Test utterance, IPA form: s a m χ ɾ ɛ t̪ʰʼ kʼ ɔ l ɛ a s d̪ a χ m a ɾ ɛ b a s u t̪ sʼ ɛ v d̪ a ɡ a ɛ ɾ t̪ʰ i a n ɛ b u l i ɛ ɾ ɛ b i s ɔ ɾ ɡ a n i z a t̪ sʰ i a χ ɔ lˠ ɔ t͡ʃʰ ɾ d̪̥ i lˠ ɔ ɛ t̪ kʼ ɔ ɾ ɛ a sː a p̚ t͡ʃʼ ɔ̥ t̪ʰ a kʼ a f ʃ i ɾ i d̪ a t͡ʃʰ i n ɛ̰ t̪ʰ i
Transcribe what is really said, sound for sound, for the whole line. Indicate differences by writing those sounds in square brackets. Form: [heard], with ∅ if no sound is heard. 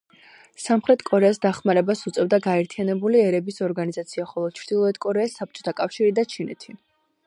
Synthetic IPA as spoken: s a m χ ɾ ɛ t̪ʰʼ kʼ ɔ [ɾ] ɛ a s d̪ a χ m a ɾ ɛ b a s u t̪ sʼ ɛ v d̪ a ɡ a ɛ ɾ t̪ʰ i a n ɛ b u l i ɛ ɾ ɛ b i s ɔ ɾ ɡ a n i z a t̪ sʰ i a χ ɔ lˠ ɔ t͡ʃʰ ɾ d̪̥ i lˠ ɔ ɛ t̪ kʼ ɔ ɾ ɛ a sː a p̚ t͡ʃʼ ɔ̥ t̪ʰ a kʼ a f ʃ i ɾ i d̪ a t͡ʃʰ i n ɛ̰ t̪ʰ i